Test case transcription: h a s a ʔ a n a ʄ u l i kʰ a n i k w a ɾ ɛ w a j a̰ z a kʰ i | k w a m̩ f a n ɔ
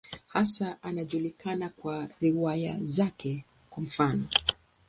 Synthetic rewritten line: h a s a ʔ a n a ʄ u l i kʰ a n a k w a ɾ i w a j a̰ z a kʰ ɛ | k w a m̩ f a n ɔ